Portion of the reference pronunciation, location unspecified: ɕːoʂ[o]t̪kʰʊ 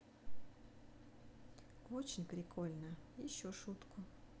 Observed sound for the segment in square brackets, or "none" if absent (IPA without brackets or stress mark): u